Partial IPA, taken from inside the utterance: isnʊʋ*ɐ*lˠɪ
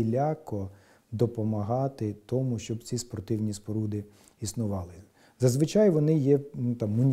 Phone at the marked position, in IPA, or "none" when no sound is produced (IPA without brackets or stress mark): ɑ